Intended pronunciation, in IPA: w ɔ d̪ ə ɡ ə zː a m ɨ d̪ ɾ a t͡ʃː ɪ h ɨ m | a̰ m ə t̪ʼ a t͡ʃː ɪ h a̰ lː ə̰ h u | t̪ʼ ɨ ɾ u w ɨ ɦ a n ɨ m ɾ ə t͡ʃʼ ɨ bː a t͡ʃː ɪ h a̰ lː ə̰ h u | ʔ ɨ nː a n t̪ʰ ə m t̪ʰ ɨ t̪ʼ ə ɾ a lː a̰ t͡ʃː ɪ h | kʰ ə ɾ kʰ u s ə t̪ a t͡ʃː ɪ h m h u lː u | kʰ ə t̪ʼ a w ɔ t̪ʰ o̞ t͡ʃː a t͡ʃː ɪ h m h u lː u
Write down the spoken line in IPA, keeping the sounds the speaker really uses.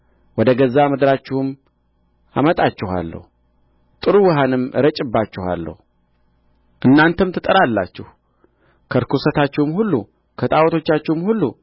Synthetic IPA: w ɔ d̪ ə ɡ ə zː a m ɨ d̪ ɾ a t͡ʃː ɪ h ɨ m | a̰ m ə t̪ʼ a t͡ʃː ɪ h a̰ lː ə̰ h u | t̪ʼ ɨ ɾ u w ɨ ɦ a n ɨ m ɾ ə t͡ʃʼ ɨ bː a t͡ʃː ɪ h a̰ lː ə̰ h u | ʔ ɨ nː a n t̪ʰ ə m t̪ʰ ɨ t̪ʼ ə ɾ a lː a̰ t͡ʃː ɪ h | kʰ ə ɾ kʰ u s ə t̪ a t͡ʃː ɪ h m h u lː u | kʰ ə t̪ʼ a w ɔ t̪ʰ o̞ t͡ʃː a t͡ʃː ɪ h m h u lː u